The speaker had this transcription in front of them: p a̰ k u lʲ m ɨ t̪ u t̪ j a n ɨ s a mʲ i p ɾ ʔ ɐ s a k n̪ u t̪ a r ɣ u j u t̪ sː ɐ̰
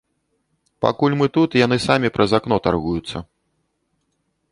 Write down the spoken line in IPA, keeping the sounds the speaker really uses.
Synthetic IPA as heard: p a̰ k u lʲ m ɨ t̪ u t̪ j a n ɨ s a mʲ i p ɾ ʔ ɐ z a k n̪ ɔ t̪ a r ɣ u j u t̪ sː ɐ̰

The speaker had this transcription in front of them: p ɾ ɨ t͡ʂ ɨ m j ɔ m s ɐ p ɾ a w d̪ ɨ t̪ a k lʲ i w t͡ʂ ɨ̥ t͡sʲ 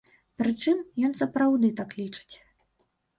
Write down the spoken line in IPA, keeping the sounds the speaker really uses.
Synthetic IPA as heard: p ɾ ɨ t͡ʂ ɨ m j ɔ n s ɐ p ɾ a w d̪ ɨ t̪ a k lʲ i t͡ʂ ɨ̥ t͡sʲ

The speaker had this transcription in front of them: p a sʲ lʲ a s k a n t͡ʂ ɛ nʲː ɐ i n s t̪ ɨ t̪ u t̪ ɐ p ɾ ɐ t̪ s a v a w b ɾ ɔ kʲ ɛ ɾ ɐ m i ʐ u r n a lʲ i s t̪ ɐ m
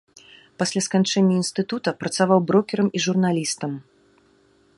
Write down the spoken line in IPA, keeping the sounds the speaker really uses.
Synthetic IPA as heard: p a sʲ lʲ a s k a n t͡ʂ ɛ nʲː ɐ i n s t̪ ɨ t̪ u t̪ ɐ p ɾ ɐ t̪ s a v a w b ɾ ɔ kʲ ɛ ɾ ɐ m i ʐ u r n a lʲ i s t̪ ɐ m

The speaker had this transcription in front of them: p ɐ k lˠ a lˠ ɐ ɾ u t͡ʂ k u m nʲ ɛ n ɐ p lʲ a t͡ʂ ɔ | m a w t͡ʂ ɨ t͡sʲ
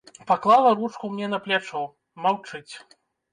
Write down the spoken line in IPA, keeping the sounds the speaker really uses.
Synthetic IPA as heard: p a k lˠ a lˠ ɐ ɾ u t͡ʂ k u m nʲ ɛ n ɐ p lʲ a t͡ʂ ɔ | m a w t͡ʂ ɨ t͡sʲ

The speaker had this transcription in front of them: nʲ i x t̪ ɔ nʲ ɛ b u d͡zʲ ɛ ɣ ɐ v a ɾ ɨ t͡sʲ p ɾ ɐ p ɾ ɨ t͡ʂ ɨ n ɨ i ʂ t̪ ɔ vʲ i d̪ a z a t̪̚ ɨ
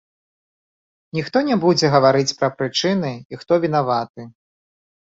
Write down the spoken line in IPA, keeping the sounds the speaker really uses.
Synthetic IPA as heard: nʲ i x t̪ ɔ nʲ ɛ b u d͡zʲ ɛ ɣ ɐ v a ɾ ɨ t͡sʲ p ɾ ɐ p ɾ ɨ t͡ʂ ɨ n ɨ i x t̪ ɔ vʲ i n̪ a v a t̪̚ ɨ

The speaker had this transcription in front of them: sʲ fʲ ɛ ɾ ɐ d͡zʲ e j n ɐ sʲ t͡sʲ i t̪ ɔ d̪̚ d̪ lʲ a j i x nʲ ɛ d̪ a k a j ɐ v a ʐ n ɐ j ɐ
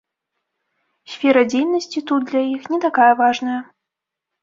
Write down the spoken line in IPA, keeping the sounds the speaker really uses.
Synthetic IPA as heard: sʲ fʲ ɛ ɾ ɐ d͡zʲ e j n ɐ sʲ t͡sʲ i t̪ u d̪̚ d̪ lʲ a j i x nʲ ɛ t̪ a k a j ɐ v a ʐ n ɐ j ɐ

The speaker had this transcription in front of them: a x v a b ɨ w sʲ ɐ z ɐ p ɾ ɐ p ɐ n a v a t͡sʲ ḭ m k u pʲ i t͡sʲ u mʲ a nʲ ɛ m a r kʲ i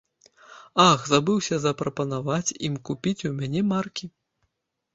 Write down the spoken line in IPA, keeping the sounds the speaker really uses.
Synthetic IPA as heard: a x z a b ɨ w sʲ ɐ z ɐ p ɾ ɐ p ɐ n a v a t͡sʲ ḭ m k u pʲ i t͡sʲ u mʲ a nʲ ɛ m a r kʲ i

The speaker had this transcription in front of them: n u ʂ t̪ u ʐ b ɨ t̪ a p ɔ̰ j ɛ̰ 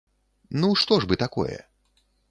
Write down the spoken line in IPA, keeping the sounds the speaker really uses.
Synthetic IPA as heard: n u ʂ t̪ ɔ ʐ b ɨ t̪ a k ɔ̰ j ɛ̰

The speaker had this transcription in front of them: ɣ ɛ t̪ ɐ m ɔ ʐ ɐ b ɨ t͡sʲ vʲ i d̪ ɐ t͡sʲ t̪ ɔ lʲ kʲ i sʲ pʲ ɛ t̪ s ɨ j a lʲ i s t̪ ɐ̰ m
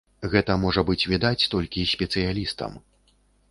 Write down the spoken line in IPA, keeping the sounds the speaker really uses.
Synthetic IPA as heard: ɣ ɛ t̪ ɐ m ɔ ʐ ɐ b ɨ t͡sʲ vʲ i d̪ a t͡sʲ t̪ ɔ lʲ kʲ i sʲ pʲ ɛ t̪ s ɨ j a lʲ i s t̪ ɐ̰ m

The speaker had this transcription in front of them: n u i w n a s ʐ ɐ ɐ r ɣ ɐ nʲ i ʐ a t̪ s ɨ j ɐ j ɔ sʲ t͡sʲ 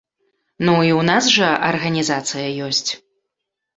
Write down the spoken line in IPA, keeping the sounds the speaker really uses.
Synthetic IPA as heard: n u i w n a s ʐ ɐ ɐ r ɣ ɐ nʲ i z a t̪ s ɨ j ɐ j ɔ sʲ t͡sʲ

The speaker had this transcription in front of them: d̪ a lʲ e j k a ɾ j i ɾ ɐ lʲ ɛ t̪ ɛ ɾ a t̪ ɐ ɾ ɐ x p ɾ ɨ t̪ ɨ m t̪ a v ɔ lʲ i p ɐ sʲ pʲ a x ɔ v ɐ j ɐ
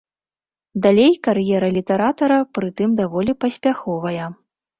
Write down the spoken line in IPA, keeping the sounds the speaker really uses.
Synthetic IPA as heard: d̪ a lʲ e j k a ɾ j ɛ ɾ ɐ lʲ i t̪ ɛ ɾ a t̪ ɐ ɾ ɐ p ɾ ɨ t̪ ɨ m d̪ a v ɔ lʲ i p ɐ sʲ pʲ a x ɔ v ɐ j ɐ

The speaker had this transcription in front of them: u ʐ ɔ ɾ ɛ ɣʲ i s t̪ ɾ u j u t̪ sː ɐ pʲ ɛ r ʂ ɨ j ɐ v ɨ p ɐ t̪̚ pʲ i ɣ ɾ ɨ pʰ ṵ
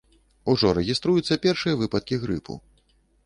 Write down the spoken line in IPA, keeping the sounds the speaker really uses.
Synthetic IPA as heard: u ʐ ɔ ɾ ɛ ɣʲ i s t̪ ɾ u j u t̪ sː ɐ pʲ ɛ r ʂ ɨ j ɐ v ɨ p ɐ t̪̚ kʲ i ɣ ɾ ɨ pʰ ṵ

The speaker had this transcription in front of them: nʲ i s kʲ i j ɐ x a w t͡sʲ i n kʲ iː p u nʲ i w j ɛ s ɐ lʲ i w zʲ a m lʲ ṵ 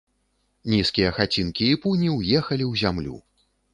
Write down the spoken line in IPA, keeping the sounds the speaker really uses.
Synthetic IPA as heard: nʲ i s kʲ i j ɐ x a t͡sʲ i n kʲ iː p u nʲ i w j ɛ x ɐ lʲ i w zʲ a m lʲ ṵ

